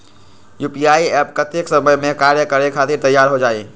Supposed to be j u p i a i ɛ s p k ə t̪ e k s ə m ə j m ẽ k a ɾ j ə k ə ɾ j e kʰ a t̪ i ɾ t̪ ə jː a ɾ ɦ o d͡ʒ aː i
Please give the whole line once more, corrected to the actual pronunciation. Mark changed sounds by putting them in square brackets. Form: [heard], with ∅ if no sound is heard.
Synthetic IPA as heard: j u p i a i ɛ [∅] p k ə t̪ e k s ə m ə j m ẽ k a ɾ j ə k ə ɾ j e kʰ a t̪ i ɾ t̪ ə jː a ɾ ɦ o d͡ʒ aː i

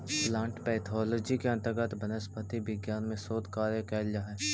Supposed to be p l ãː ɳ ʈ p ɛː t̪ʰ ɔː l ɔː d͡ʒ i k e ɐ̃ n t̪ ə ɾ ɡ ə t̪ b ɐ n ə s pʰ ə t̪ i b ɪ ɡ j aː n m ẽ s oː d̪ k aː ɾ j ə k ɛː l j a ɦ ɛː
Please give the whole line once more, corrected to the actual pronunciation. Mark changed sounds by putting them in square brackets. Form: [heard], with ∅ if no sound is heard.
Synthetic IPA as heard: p l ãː ɳ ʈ p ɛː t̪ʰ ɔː l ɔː d͡ʒ i k e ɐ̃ n t̪ ə ɾ ɡ ə t̪ b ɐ n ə s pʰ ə t̪ i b ɪ ɡ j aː n m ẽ s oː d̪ k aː ɾ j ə k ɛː l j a ɦ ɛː

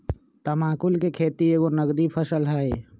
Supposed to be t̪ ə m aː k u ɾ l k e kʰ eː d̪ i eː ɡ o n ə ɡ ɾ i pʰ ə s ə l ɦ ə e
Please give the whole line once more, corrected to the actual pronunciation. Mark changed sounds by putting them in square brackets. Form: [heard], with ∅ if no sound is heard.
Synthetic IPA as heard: t̪ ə m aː k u [∅] l k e kʰ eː [t̪] i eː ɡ o n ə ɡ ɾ i pʰ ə s ə l ɦ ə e

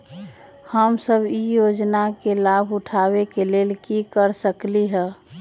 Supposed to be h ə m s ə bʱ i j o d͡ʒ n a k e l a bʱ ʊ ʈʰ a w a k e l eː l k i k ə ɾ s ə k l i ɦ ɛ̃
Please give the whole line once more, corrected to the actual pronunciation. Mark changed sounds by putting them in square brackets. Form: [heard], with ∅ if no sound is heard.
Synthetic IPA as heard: h ə m s ə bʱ i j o d͡ʒ n a k e l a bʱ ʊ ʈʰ a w [e] k e l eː l k i k ə ɾ s ə k l i ɦ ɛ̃

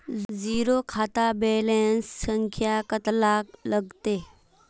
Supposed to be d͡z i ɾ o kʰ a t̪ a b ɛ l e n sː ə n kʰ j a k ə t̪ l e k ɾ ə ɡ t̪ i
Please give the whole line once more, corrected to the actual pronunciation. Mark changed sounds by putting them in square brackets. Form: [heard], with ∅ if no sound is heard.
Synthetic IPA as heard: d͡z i ɾ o kʰ a t̪ a b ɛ l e n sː ə [ŋ] kʰ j a k ə t̪ l [a] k [l] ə ɡ t̪ [e]

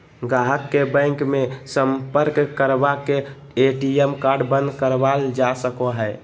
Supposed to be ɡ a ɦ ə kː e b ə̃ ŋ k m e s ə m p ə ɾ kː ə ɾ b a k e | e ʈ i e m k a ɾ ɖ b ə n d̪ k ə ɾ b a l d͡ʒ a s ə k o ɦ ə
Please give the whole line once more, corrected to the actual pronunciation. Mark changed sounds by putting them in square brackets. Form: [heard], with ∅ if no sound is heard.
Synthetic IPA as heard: ɡ a ɦ ə kː e b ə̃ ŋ k m e s ə m p ə ɾ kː ə ɾ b a k e | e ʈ i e m k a ɾ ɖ b ə n d̪ k ə ɾ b a l d͡ʒ a s ə k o ɦ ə

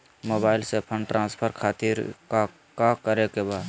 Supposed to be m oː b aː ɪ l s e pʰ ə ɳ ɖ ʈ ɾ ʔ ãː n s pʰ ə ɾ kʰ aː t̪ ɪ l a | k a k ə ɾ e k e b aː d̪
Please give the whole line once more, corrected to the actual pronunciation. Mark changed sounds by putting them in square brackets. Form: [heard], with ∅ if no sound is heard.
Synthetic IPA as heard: m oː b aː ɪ l s e pʰ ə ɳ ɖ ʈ ɾ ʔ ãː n s pʰ ə ɾ kʰ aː t̪ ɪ [ɾ] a | k a k ə ɾ e k e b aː d̪

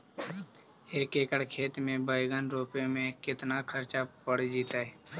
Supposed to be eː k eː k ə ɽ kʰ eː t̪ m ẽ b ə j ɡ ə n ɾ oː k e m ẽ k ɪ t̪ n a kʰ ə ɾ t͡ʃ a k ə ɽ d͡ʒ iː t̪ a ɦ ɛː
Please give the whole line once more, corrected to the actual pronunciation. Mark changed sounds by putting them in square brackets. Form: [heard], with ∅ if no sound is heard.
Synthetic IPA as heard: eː k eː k ə ɽ kʰ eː t̪ m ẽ b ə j ɡ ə n ɾ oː [p] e m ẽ k ɪ t̪ n a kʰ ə ɾ t͡ʃ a [p] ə ɽ d͡ʒ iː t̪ a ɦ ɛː

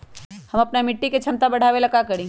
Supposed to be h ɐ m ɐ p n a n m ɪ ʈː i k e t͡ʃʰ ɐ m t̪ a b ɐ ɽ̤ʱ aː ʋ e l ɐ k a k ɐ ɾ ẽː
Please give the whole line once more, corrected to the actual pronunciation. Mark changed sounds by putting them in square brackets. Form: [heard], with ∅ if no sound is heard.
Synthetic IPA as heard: h ɐ m ɐ p n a [∅] m ɪ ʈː i k e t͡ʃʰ ɐ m t̪ a b ɐ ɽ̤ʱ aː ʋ e l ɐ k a k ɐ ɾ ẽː

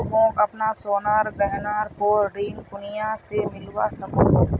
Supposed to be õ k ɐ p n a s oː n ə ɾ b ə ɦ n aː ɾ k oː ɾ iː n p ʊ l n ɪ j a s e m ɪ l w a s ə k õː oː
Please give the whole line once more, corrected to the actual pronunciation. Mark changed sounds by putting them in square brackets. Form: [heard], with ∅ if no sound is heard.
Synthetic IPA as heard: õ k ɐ p n a s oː n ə ɾ [ɡ] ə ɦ n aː ɾ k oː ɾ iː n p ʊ [∅] n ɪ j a s e m ɪ l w a s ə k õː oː

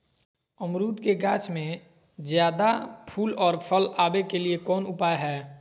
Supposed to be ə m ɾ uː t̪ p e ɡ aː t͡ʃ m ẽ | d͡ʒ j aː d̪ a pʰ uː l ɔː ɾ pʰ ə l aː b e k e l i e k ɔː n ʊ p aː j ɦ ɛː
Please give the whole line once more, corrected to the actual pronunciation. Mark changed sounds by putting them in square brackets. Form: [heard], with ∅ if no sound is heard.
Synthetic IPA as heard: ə m ɾ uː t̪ [k] e ɡ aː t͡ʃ m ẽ | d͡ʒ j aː d̪ a pʰ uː l ɔː ɾ pʰ ə l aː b e k e l i e k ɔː n ʊ p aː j ɦ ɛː

